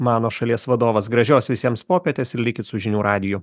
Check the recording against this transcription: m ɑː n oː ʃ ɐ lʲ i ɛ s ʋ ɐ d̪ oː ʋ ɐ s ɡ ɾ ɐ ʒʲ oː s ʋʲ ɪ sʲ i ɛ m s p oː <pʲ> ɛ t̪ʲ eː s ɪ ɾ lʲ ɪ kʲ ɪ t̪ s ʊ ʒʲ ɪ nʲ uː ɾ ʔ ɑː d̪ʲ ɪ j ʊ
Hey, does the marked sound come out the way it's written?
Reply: yes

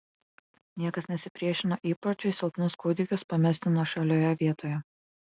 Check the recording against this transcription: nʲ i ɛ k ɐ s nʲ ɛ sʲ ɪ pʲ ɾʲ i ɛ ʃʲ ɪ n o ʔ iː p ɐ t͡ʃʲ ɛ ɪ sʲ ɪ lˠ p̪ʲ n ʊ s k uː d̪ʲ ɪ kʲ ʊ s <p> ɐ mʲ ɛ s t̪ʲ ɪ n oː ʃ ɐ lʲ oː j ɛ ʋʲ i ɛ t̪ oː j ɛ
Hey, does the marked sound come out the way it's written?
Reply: yes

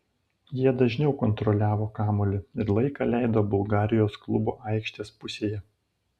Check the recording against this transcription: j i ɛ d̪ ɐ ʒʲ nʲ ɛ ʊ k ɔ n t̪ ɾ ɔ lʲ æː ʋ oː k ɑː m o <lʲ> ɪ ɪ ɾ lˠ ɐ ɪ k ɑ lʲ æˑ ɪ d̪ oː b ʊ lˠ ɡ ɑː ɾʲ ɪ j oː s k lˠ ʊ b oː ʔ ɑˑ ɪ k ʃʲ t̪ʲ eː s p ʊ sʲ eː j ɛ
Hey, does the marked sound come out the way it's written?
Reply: yes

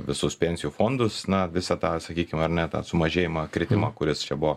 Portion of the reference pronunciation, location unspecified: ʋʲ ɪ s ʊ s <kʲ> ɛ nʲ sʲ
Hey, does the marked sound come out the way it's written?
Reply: no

